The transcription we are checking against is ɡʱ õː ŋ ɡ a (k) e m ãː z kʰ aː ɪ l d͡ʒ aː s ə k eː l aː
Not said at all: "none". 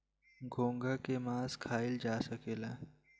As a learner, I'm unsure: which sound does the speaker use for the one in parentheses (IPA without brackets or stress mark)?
k